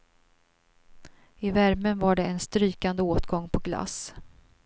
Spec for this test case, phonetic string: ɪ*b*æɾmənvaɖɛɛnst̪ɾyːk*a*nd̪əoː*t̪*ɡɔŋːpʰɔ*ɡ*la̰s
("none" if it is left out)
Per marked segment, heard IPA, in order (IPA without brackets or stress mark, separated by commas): v, a, t̪, ɡ